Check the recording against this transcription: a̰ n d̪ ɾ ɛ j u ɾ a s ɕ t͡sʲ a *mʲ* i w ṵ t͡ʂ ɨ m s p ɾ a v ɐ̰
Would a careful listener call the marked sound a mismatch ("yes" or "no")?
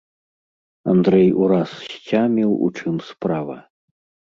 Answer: no